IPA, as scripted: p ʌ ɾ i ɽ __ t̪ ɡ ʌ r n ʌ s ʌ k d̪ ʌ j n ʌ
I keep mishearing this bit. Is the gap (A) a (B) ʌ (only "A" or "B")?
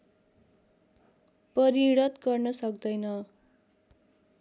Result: B